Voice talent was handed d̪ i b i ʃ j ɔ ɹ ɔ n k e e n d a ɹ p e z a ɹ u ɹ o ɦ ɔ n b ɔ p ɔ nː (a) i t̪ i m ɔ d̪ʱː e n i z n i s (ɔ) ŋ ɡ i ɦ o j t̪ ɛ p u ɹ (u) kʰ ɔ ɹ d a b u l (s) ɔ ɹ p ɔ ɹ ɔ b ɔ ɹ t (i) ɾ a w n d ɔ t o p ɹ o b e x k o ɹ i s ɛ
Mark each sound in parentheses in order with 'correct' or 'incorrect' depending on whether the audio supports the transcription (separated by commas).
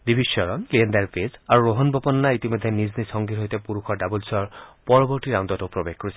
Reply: correct, correct, correct, correct, correct